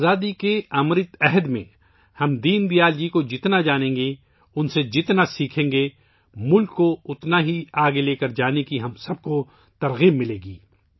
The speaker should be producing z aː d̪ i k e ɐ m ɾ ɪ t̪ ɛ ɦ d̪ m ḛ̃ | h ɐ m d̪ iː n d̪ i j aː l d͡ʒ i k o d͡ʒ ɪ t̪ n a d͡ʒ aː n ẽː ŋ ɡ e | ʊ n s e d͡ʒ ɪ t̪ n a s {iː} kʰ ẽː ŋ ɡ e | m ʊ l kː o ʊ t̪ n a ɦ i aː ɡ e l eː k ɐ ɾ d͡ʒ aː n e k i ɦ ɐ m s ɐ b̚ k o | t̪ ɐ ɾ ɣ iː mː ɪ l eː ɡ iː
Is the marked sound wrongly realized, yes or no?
no